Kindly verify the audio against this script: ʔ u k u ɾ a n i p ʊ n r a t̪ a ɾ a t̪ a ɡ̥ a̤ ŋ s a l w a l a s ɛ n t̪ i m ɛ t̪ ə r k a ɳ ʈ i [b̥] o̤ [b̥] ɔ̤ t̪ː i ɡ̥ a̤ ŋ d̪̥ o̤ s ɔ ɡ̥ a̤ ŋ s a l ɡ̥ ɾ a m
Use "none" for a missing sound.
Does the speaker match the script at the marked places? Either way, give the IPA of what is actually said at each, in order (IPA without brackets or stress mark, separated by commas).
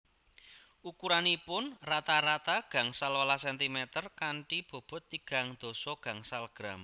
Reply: b̥, b̥